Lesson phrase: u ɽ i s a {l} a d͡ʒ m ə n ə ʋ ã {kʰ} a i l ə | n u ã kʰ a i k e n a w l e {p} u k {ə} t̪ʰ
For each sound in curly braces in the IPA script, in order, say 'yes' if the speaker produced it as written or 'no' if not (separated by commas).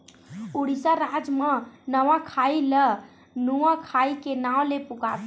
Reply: no, yes, yes, no